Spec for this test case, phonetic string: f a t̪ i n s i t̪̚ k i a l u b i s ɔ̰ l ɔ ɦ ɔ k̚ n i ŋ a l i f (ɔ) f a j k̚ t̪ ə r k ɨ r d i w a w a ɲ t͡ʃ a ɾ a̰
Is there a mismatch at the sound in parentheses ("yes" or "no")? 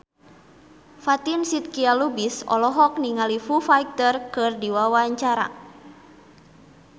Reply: yes